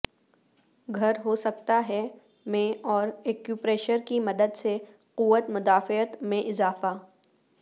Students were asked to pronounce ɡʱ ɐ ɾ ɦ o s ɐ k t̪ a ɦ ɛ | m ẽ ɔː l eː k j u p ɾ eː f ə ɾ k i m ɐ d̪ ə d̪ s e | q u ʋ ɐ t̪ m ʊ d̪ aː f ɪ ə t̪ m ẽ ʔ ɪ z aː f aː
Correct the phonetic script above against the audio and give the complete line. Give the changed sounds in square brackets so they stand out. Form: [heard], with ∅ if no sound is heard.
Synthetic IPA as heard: ɡʱ ɐ ɾ ɦ o s ɐ k t̪ a ɦ ɛ | m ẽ ɔː [ɾ] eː k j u p ɾ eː [ʃ] ə ɾ k i m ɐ d̪ ə d̪ s e | q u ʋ [ə] t̪ m ʊ d̪ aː f ɪ ə t̪ m ẽ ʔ ɪ z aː f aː